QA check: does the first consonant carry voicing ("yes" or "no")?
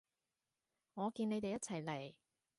yes